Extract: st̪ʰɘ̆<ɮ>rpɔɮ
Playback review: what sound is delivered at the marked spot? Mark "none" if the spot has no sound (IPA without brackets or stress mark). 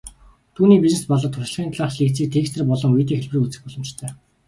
none